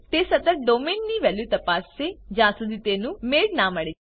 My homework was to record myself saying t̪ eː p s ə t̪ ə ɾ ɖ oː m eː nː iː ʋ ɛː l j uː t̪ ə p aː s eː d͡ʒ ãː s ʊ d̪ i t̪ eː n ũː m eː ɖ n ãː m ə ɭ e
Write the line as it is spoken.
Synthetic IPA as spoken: t̪ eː s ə t̪ ə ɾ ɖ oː m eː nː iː ʋ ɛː l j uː t̪ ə p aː s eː d͡ʒ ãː s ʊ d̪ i t̪ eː n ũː m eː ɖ n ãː m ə ɽ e